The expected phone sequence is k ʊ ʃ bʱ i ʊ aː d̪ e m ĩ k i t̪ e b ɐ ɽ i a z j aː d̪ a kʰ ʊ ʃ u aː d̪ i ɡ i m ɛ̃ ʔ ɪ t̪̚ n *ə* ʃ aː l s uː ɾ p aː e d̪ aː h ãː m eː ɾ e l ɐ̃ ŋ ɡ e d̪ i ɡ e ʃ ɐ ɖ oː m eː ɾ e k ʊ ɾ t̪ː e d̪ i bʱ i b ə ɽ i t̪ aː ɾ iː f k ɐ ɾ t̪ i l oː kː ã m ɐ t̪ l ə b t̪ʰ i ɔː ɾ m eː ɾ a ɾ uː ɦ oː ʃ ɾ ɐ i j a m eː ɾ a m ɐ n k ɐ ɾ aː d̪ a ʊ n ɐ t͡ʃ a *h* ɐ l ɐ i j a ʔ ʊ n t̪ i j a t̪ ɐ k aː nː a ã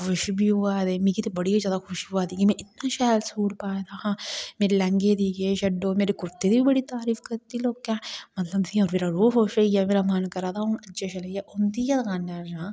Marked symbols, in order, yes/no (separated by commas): no, no